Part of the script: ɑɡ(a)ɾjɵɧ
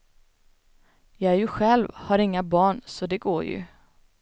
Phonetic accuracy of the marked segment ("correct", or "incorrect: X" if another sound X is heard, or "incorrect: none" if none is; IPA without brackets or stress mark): incorrect: æ